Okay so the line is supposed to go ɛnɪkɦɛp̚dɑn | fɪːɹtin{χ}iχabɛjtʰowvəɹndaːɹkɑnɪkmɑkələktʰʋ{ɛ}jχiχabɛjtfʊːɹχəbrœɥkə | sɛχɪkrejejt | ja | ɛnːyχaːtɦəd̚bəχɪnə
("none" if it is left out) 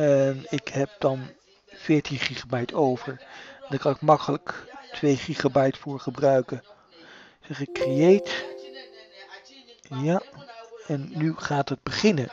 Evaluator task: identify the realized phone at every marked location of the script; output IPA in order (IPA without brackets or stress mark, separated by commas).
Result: χ, e